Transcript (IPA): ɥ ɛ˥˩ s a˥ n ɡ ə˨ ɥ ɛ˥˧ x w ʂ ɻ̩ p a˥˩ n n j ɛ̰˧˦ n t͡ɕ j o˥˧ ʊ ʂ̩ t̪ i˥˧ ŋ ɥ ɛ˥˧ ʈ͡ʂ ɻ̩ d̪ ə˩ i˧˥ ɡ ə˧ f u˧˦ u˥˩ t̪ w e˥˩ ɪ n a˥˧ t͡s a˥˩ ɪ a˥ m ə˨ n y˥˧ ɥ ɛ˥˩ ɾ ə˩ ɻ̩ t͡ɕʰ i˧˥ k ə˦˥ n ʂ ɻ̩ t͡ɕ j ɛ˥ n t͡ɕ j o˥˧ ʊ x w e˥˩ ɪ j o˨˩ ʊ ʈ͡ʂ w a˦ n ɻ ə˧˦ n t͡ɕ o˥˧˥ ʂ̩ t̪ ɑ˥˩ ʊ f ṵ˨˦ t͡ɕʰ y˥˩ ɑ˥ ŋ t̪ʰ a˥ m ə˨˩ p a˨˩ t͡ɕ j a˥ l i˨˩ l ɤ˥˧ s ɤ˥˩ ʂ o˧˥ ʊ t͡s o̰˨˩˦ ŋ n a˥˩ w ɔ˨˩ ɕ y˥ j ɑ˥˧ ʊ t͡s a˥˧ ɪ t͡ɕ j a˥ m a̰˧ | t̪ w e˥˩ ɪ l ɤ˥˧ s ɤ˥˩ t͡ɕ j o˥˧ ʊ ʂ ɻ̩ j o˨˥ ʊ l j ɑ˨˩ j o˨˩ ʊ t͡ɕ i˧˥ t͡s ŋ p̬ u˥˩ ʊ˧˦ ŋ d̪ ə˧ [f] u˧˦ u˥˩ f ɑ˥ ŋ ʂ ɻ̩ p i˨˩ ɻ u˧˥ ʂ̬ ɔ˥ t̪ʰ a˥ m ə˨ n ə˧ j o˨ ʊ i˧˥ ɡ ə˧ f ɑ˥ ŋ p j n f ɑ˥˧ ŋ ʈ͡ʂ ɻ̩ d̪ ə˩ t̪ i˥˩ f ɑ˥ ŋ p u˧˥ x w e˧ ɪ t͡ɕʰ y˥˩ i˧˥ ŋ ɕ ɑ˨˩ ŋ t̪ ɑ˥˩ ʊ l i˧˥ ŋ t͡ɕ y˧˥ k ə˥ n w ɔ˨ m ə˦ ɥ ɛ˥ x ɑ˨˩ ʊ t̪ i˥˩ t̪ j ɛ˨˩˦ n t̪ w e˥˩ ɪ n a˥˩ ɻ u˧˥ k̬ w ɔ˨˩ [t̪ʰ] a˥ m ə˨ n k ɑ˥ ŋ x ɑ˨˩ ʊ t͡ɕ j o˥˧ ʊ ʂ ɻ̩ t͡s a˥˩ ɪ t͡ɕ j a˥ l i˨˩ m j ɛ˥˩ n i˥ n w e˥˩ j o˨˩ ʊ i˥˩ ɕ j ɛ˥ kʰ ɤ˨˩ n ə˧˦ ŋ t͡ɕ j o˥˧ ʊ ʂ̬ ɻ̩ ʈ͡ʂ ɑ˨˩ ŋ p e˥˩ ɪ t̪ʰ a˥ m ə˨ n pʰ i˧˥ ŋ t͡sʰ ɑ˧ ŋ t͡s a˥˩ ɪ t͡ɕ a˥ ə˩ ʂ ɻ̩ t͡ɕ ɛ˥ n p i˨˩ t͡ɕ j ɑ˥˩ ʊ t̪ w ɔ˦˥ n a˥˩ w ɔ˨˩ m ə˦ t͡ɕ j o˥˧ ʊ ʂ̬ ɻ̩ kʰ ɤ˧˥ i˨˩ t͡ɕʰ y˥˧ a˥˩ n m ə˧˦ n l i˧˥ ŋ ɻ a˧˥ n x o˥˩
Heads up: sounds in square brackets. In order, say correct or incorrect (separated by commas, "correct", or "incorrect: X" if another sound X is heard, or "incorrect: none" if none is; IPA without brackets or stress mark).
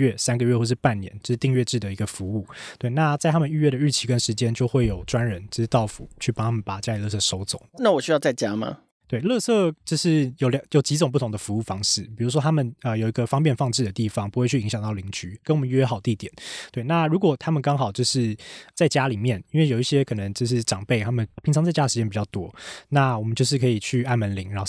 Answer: correct, correct